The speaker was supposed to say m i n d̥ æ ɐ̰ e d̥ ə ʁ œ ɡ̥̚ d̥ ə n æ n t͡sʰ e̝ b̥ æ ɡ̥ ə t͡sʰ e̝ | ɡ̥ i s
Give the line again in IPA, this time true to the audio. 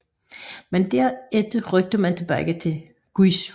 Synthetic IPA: m e n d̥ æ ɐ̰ e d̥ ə ʁ œ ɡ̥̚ d̥ ə m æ n t͡sʰ e̝ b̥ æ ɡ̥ ə t͡sʰ e̝ | ɡ̥ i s